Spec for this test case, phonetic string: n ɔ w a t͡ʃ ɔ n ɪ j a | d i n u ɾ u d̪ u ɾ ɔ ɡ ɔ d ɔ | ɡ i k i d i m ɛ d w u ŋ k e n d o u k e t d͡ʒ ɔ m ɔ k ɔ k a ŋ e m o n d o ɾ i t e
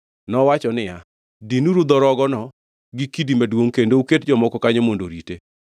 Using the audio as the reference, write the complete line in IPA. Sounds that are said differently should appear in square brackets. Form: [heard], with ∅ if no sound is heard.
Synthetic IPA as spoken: n ɔ w a t͡ʃ ɔ n ɪ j a | d i n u ɾ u d̪ [ɔ] ɾ ɔ ɡ ɔ [n] ɔ | ɡ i k i d i m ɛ d w [o] ŋ k e n d o u k e t d͡ʒ ɔ m ɔ k ɔ k a [ɲ] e m o n d o ɾ i t e

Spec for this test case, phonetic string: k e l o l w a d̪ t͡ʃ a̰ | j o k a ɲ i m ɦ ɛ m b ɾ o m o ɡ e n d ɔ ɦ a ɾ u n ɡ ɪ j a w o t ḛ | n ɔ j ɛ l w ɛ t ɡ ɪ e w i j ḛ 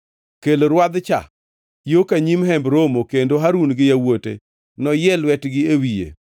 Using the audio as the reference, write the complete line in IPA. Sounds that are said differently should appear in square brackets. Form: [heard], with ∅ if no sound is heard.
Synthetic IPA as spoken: k e l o [ɾ] w a d̪ t͡ʃ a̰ | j o k a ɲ i m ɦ ɛ m b ɾ o m o [k] e n d [o] ɦ a ɾ u n ɡ ɪ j a w o t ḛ | n ɔ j ɛ l w ɛ t ɡ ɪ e w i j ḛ

